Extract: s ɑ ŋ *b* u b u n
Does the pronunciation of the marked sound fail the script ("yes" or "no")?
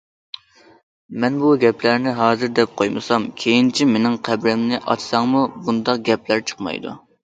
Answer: yes